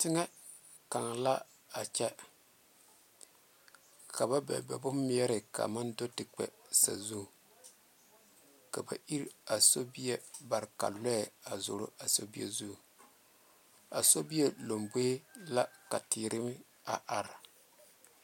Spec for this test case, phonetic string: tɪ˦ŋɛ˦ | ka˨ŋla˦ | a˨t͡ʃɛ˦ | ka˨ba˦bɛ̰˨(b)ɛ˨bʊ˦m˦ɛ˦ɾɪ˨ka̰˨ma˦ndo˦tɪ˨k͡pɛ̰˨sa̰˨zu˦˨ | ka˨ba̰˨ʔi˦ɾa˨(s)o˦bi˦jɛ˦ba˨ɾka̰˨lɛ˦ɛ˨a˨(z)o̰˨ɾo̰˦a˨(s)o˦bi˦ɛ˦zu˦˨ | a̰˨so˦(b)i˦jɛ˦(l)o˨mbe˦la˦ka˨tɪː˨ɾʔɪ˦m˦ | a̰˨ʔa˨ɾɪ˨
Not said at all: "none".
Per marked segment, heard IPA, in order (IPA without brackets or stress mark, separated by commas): b, s, z, s, b, l